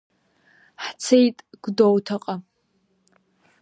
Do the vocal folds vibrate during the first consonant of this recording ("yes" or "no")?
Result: no